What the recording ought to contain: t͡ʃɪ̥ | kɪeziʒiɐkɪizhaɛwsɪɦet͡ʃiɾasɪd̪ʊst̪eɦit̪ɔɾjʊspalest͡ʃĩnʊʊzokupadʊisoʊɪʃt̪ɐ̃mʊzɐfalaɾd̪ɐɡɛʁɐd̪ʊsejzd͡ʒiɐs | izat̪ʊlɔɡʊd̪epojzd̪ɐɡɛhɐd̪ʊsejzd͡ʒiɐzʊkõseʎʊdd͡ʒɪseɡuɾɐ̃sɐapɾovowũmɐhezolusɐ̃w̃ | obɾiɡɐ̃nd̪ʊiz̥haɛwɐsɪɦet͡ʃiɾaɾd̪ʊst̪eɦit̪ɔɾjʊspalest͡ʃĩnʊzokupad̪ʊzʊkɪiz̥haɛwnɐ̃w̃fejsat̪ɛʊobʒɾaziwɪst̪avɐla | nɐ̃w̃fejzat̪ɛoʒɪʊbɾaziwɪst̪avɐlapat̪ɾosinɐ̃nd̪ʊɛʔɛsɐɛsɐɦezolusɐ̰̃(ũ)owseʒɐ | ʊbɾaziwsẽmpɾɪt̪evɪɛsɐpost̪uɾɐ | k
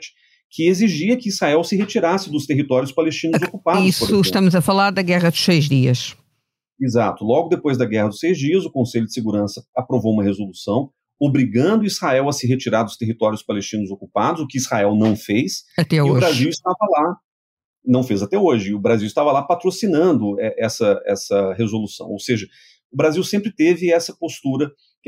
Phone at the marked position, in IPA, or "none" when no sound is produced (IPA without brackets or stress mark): w̃